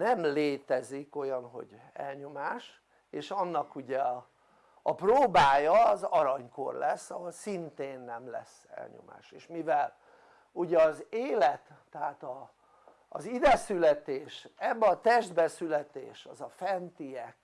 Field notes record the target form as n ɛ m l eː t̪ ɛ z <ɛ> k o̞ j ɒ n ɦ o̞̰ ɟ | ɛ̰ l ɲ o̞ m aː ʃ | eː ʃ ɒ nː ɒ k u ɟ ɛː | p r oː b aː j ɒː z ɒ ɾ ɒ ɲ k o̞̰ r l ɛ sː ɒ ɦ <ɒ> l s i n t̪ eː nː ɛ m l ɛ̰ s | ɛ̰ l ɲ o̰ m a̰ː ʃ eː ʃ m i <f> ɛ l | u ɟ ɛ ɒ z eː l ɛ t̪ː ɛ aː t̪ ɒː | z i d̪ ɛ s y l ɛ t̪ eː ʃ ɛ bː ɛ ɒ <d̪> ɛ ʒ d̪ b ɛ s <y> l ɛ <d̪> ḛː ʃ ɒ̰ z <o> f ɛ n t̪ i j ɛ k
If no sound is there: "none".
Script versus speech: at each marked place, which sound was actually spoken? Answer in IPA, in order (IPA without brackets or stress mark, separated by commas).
i, o, v, t̪, y, t̪, ɒ